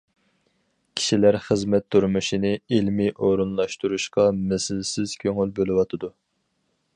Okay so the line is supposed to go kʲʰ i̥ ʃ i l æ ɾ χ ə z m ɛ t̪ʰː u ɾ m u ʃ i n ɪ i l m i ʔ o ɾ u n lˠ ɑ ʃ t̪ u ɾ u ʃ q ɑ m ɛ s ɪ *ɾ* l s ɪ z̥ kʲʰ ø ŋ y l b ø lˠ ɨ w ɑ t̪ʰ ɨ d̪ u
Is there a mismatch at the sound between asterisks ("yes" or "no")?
yes